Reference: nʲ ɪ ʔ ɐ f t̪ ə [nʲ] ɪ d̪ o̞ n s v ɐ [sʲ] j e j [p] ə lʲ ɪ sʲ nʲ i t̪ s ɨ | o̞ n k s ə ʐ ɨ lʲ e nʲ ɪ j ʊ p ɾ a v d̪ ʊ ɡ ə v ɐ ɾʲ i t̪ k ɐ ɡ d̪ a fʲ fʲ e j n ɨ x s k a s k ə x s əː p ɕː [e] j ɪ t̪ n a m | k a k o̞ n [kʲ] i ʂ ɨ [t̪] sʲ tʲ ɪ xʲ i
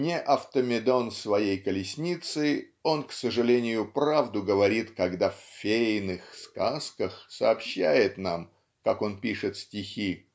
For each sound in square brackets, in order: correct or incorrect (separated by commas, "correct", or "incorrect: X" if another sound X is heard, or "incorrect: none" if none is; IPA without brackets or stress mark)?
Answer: incorrect: mʲ, incorrect: none, incorrect: k, incorrect: æ, incorrect: pʲ, correct